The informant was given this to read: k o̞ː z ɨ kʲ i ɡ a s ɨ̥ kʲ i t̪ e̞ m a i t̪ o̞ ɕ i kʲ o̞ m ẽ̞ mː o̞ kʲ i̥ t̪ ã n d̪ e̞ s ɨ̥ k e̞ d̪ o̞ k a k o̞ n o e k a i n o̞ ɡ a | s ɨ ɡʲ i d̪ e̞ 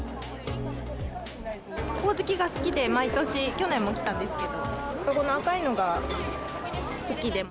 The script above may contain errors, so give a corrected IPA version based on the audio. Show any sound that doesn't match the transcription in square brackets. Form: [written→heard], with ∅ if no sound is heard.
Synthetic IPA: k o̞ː z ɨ kʲ i ɡ a s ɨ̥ kʲ i [t̪→d̪] e̞ m a i t̪ o̞ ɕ i kʲ o̞ [m→n] ẽ̞ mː o̞ kʲ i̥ t̪ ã n d̪ e̞ s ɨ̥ k e̞ d̪ o̞ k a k o̞ n o [e→a] k a i n o̞ ɡ a | s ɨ [ɡʲ→kʲ] i d̪ e̞